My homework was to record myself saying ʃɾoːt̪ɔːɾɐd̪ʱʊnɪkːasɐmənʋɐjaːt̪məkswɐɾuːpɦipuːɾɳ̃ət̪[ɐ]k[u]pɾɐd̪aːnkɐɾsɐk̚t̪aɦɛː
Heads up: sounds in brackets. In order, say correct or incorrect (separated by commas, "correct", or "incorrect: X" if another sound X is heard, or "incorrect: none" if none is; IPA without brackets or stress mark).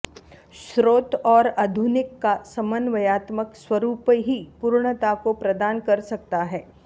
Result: incorrect: a, incorrect: o